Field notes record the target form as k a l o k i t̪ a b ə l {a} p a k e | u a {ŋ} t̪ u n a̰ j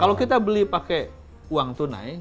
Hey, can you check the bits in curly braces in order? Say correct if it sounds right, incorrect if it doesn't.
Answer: incorrect: i, correct

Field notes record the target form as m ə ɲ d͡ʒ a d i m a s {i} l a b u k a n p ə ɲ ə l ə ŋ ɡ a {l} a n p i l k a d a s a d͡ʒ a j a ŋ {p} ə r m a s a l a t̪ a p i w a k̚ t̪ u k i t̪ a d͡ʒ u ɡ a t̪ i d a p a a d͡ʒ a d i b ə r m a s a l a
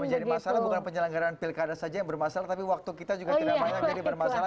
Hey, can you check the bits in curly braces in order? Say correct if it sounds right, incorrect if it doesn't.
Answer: incorrect: a, incorrect: ɾ, incorrect: b

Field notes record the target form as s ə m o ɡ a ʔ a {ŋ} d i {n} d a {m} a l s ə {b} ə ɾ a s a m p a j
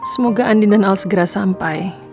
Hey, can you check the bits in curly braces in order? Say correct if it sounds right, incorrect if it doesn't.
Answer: incorrect: n, correct, incorrect: n, incorrect: ɡ

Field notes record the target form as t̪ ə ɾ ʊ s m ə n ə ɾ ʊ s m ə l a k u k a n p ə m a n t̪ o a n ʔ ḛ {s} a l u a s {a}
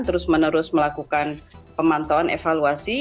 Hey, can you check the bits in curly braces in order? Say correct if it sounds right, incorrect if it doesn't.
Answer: incorrect: f, incorrect: i

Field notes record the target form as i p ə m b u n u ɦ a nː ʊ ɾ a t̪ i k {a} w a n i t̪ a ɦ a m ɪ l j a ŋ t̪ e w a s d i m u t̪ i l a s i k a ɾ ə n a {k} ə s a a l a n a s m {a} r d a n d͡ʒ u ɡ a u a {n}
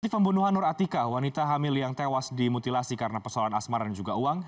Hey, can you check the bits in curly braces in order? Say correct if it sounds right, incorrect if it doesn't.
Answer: correct, incorrect: p, correct, incorrect: ŋ

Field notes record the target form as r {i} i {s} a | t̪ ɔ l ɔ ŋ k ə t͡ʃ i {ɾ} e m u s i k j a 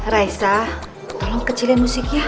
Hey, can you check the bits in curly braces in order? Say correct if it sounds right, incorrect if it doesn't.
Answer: incorrect: a, correct, incorrect: l

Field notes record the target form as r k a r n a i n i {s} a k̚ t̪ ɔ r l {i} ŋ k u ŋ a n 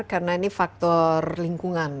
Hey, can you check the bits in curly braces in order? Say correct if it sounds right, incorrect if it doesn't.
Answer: incorrect: f, correct

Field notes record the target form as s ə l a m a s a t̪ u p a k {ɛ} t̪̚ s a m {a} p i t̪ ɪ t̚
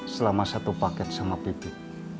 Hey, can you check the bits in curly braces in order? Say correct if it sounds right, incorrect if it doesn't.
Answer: correct, correct

